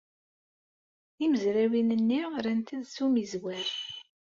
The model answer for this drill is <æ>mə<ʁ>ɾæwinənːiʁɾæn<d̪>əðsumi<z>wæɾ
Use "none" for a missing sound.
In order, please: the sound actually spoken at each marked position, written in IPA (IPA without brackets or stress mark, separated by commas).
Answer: i, z, t̪, z